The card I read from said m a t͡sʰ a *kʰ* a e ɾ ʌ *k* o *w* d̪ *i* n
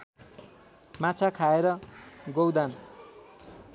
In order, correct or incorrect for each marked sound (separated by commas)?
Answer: correct, incorrect, correct, incorrect